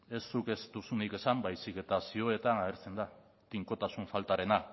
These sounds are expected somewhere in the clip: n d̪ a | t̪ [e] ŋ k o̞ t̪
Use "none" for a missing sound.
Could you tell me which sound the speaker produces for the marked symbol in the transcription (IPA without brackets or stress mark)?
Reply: i